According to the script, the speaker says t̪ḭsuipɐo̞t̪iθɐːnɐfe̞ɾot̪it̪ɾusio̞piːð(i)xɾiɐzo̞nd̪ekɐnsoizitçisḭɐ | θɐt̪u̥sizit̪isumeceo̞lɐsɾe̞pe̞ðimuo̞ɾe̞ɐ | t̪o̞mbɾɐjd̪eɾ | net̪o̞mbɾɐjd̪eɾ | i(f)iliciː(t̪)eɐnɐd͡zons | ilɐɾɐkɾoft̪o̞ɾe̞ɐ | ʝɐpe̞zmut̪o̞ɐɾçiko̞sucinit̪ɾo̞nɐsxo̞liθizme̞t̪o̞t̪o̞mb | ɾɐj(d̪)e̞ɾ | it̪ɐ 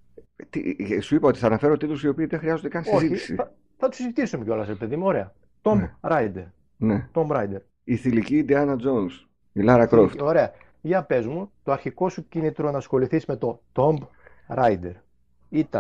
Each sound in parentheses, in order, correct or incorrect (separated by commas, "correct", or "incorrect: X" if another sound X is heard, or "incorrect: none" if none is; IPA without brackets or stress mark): incorrect: e, incorrect: θ, incorrect: d̪, correct